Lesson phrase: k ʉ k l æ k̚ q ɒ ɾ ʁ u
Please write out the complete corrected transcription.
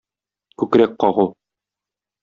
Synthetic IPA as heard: k ʉ k ɾ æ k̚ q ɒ ʁ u